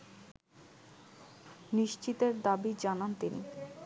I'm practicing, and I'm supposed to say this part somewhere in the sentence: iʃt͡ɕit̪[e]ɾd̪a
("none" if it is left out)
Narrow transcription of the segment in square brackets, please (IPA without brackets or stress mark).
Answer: e